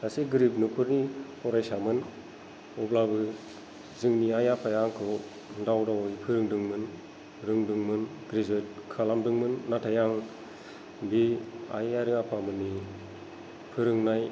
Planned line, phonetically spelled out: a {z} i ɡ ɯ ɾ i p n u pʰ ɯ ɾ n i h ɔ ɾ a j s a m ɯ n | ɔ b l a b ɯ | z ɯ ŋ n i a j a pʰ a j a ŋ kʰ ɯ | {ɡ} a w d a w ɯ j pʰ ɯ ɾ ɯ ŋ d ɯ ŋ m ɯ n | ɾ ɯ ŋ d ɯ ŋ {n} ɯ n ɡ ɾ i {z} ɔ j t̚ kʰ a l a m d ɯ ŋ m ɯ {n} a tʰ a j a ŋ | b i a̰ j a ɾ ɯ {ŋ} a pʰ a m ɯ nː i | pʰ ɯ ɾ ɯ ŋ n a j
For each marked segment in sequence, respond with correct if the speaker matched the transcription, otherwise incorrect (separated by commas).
incorrect, incorrect, incorrect, correct, incorrect, correct